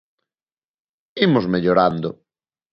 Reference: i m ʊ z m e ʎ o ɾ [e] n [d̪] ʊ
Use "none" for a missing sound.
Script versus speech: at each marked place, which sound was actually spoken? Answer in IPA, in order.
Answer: a, d̪

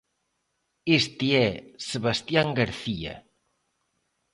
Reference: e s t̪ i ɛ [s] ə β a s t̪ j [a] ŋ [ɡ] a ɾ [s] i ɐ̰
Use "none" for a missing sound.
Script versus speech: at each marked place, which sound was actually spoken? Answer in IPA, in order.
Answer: s, a, ɡ, θ

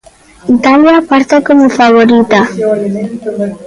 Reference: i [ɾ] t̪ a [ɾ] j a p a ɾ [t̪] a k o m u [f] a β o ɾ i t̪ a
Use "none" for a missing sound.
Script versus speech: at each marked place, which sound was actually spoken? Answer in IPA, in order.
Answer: none, l, t̪, f

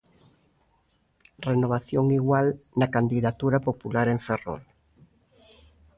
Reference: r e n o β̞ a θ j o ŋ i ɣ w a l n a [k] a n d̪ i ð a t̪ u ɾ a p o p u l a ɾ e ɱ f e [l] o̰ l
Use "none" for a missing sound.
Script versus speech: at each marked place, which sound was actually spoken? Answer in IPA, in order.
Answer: k, r

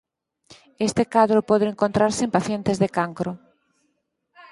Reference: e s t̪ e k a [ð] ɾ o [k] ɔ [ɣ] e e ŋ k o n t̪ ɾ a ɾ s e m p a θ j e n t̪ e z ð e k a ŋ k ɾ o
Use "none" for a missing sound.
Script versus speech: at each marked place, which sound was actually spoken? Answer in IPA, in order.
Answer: ð, p, ð

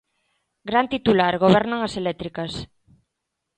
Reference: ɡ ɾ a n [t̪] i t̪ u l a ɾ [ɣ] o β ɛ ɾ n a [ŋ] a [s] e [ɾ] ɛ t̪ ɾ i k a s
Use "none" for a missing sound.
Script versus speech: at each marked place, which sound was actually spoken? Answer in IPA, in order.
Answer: t̪, ɣ, ŋ, s, l

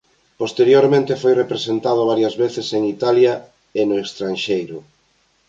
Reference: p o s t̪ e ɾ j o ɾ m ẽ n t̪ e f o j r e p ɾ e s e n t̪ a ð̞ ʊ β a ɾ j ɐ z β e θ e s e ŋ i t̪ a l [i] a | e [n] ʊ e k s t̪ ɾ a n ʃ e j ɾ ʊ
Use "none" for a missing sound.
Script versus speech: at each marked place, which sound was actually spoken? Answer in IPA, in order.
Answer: j, n

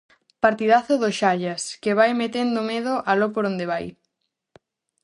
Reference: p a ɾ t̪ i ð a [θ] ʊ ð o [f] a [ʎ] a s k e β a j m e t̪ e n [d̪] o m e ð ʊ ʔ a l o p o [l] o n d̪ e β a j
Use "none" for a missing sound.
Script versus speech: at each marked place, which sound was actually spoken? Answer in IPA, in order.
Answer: θ, ʃ, ʎ, d̪, ɾ

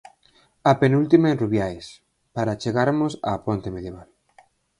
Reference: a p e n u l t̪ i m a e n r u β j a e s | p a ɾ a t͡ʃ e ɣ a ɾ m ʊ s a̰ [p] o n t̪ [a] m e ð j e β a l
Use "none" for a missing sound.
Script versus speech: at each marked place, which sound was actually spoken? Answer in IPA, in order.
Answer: p, e

